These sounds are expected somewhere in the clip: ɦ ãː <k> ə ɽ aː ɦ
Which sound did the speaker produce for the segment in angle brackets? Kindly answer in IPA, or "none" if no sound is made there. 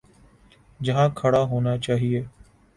kʰ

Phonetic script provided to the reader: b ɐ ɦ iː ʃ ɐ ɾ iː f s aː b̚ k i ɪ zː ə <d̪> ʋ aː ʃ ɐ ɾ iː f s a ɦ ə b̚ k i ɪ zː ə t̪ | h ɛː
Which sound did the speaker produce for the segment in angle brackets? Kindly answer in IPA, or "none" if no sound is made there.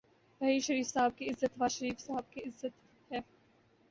t̪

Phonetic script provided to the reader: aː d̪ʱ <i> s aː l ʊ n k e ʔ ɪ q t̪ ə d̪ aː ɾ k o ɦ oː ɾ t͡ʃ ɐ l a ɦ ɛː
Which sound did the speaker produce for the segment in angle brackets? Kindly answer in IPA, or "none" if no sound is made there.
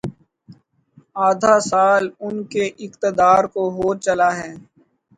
a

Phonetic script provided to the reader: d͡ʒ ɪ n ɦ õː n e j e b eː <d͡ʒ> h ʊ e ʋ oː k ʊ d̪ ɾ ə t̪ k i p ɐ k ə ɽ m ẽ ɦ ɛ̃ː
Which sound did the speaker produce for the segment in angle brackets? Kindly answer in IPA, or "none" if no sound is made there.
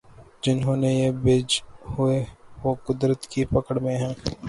d͡ʒ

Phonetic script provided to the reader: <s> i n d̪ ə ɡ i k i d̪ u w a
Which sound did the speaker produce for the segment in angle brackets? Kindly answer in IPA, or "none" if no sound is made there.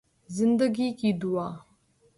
z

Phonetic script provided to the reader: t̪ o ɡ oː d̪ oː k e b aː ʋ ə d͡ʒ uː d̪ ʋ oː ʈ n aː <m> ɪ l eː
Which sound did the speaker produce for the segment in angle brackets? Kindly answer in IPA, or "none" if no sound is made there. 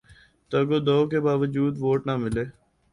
m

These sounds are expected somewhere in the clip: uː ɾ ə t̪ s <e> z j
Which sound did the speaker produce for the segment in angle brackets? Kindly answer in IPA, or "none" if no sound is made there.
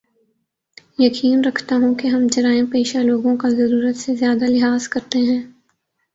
e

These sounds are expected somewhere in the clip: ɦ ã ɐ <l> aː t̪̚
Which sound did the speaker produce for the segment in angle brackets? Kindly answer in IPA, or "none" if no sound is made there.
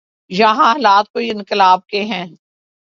l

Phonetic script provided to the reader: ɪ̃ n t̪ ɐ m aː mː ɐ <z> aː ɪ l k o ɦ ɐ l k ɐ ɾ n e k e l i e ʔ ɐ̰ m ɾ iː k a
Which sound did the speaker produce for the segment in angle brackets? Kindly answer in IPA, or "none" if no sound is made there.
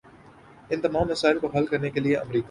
s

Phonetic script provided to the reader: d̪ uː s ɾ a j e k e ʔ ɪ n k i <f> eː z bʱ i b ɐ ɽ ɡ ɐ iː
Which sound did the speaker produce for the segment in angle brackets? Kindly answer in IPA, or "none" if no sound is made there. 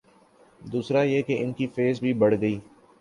f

